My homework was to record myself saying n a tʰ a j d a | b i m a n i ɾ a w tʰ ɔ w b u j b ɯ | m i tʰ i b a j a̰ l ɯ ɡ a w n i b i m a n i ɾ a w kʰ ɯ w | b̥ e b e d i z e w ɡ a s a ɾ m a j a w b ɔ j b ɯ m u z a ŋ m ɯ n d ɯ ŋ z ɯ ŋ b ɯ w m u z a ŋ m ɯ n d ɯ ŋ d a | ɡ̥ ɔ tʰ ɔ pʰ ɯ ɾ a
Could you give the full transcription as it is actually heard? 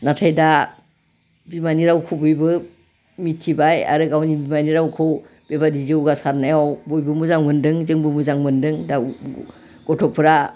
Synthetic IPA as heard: n a tʰ a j d a | b i m a n i ɾ a w kʰ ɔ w b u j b ɯ | m i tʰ i b a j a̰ ɾ ɯ ɡ a w n i b i m a n i ɾ a w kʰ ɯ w | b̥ e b a d i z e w ɡ a s a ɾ n a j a w b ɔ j b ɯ m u z a ŋ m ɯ n d ɯ ŋ z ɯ ŋ b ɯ m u z a ŋ m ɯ n d ɯ ŋ d a | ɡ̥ ɔ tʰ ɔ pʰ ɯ ɾ a